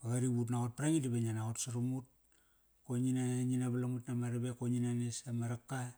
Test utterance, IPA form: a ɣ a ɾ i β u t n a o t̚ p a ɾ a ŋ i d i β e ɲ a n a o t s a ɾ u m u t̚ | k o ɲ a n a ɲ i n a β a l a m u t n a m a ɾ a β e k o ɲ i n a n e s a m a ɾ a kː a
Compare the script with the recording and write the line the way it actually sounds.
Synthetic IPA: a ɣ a ɾ i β u t n a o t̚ p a ɾ a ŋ i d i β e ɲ a n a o t s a ɾ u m u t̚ | k o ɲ i n a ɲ i n a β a l a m u t n a m a ɾ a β e k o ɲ i n a n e s a m a ɾ a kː a

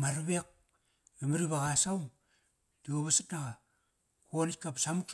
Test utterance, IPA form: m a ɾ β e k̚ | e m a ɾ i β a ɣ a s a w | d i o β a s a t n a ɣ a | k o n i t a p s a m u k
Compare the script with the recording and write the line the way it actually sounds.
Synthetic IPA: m a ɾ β e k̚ | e m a ɾ i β a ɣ a s a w | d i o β a s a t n a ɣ a | k o n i k a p s a m u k

